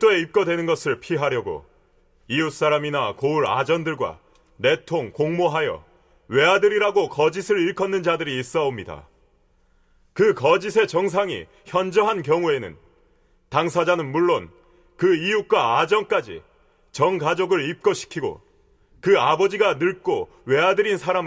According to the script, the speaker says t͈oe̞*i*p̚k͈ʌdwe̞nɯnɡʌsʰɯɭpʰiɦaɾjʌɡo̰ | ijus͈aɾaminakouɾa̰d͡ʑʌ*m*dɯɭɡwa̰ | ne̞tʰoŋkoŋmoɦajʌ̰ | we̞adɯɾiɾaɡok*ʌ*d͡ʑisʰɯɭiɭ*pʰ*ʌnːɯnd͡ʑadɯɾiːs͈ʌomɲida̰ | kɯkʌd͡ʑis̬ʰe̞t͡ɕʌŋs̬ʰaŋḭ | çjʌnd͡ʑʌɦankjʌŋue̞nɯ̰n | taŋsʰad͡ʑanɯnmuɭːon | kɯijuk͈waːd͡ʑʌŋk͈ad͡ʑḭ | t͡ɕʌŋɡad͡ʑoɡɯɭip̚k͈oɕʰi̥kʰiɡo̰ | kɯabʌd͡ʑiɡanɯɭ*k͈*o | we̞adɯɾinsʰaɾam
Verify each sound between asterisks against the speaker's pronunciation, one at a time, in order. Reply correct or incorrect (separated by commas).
correct, incorrect, correct, incorrect, correct